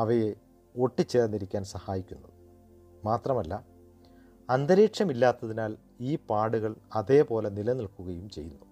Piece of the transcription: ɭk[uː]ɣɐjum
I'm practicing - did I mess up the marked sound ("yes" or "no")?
yes